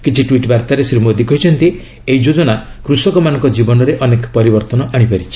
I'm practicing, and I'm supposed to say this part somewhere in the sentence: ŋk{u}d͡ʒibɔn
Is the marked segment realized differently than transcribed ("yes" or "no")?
yes